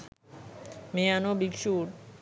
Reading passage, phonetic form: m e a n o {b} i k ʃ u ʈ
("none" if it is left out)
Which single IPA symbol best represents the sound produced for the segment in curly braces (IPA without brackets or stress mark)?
b